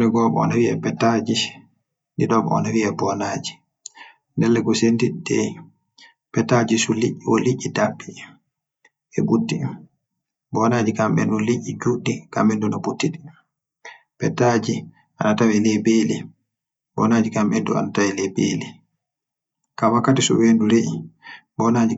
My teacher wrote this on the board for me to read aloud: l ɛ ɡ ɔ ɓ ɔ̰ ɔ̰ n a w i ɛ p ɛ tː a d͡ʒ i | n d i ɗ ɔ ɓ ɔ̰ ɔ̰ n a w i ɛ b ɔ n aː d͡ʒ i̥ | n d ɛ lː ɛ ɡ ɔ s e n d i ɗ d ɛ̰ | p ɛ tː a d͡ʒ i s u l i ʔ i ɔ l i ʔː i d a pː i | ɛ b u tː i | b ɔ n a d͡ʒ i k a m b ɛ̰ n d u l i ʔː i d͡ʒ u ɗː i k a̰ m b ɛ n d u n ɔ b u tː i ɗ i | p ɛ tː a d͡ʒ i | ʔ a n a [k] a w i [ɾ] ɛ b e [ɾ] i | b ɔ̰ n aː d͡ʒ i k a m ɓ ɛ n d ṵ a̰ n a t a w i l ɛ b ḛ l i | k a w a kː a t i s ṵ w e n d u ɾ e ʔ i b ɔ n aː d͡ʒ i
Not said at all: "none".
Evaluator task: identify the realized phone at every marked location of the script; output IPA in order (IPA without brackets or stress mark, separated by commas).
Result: t, l, l